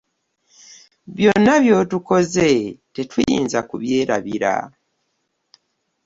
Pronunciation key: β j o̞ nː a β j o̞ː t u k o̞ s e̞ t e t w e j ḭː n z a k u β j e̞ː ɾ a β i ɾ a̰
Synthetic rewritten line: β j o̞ nː a β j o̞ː t u k o̞ z e̞ t e t w i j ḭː n z a k u β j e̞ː ɾ a β i ɾ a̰